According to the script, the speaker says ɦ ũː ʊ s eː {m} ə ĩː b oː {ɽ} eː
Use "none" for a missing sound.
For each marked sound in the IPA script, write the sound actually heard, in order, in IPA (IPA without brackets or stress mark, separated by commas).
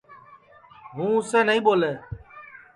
n, l